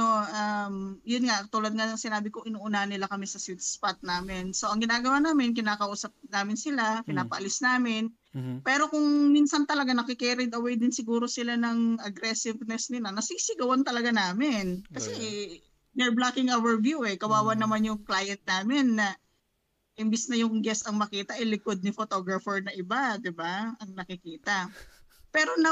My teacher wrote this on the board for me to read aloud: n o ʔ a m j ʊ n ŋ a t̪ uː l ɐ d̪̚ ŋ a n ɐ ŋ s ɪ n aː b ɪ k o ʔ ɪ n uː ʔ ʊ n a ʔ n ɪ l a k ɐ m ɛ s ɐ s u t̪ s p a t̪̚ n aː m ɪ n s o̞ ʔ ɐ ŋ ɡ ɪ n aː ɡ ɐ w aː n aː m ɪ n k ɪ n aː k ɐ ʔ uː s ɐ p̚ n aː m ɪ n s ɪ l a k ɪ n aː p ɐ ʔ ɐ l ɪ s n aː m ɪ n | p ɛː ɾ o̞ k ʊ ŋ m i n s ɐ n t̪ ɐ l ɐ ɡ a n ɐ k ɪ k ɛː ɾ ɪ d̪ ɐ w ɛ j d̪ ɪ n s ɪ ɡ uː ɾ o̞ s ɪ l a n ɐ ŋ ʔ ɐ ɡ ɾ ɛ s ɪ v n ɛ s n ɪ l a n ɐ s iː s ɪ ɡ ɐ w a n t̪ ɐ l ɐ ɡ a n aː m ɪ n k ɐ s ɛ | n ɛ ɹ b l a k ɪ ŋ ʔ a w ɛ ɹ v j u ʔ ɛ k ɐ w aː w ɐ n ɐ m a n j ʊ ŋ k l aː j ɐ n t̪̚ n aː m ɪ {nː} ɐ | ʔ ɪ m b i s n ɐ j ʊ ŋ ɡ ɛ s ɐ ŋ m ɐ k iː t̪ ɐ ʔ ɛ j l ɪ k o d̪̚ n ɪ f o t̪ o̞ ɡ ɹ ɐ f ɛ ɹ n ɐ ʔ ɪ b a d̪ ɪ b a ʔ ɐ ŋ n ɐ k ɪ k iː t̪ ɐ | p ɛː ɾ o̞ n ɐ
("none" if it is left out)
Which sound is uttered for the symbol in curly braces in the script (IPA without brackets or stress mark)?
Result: nː